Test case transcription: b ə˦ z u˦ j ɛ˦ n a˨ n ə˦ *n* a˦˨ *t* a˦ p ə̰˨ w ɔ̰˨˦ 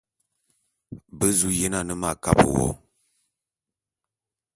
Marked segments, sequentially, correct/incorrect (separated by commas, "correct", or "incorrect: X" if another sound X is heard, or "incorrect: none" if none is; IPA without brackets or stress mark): incorrect: m, incorrect: k